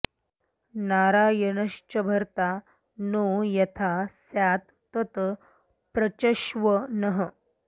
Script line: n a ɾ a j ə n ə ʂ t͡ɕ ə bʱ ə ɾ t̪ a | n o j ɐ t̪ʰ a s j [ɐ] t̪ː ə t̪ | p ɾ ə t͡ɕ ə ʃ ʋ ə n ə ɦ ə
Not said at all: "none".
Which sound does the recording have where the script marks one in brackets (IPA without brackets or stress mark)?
a